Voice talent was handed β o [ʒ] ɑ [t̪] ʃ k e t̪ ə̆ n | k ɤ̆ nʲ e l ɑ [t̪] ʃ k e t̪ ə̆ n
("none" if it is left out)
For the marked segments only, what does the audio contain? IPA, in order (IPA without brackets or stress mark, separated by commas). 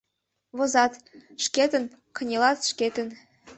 z, t̪, t̪